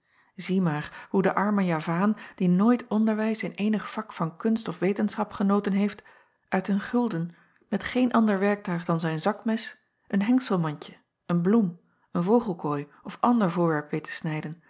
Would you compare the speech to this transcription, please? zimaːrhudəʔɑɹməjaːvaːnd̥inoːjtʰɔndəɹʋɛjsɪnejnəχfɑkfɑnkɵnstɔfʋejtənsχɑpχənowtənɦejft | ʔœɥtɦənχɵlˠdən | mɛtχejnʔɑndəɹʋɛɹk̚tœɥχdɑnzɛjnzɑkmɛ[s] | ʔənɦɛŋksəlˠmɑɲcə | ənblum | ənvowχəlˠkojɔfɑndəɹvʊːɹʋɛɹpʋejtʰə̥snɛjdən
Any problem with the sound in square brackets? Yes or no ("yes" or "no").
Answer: no